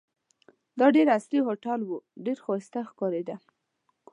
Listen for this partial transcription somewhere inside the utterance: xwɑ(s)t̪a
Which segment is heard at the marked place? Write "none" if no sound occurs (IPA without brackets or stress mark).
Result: s